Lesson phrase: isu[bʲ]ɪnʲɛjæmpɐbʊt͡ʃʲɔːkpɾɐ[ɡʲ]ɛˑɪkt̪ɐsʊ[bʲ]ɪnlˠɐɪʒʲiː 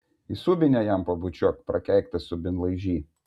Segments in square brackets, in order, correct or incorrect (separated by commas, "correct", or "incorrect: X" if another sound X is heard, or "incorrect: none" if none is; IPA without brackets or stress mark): correct, incorrect: kʲ, correct